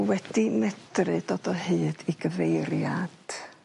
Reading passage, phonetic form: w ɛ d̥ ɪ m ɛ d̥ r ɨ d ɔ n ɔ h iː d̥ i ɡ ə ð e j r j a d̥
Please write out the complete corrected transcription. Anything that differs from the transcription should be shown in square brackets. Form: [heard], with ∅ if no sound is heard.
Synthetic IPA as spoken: w ɛ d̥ [i] m ɛ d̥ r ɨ d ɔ [d] ɔ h [ɨː] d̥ i ɡ ə [v] e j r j a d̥